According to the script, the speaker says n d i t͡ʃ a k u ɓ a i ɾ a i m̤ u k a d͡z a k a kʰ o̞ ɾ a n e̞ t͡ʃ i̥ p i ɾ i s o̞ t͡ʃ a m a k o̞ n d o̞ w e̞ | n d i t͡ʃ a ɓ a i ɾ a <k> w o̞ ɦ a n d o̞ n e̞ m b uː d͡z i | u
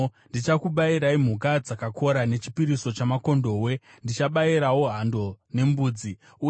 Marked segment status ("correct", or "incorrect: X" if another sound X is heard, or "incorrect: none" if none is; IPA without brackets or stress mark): incorrect: none